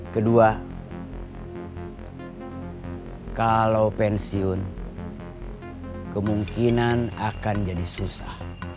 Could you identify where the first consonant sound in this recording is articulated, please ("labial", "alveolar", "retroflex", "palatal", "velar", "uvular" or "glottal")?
velar